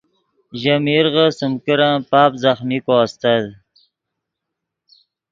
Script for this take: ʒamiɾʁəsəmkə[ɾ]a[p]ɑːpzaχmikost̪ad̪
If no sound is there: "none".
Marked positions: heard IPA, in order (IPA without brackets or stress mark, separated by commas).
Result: ɾ, p